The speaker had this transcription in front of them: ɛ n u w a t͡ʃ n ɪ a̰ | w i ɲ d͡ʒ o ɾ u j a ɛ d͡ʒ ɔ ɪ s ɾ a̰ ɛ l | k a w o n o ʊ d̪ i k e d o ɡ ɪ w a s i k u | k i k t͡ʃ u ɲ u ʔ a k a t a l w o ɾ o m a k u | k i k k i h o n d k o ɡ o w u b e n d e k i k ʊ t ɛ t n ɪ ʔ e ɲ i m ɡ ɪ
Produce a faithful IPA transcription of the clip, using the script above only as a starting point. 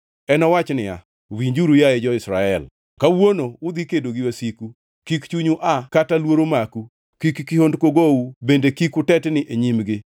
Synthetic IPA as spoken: ɛ n ɔ w a t͡ʃ n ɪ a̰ | w i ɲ d͡ʒ u ɾ u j a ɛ d͡ʒ ɔ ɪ s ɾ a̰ ɛ l | k a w o n o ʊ d̪ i k e d o ɡ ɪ w a s i k u | k i k t͡ʃ u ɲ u ʔ a k a t a l w o ɾ o m a k u | k i k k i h o n d k o ɡ o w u b e n d e k i k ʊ t ɛ t n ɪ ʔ e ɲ i m ɡ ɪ